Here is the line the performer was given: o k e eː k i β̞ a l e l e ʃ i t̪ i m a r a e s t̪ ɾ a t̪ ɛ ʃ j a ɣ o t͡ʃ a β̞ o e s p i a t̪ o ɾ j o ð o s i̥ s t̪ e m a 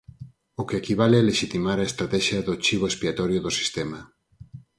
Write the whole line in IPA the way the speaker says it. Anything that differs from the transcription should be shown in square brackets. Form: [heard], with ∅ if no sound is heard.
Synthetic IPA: o k e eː k i β̞ a l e l e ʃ i t̪ i m a [ɾ] a e s t̪ ɾ a t̪ ɛ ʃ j a [ð] o t͡ʃ [i] β̞ o e s p i a t̪ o ɾ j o ð o s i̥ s t̪ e m a